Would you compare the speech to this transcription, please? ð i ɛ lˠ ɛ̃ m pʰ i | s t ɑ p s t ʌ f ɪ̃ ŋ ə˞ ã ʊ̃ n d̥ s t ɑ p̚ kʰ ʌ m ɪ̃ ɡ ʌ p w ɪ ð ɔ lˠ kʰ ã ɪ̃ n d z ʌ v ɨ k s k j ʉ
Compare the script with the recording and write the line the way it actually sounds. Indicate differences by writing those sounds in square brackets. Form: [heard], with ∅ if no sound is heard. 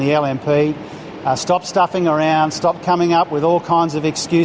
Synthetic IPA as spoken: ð i ɛ lˠ ɛ̃ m pʰ i | s t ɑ p s t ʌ f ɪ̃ ŋ ə˞ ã ʊ̃ n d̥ s t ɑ p̚ kʰ ʌ m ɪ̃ [ŋ] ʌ p w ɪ ð ɔ lˠ kʰ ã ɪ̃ n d z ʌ v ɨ k s k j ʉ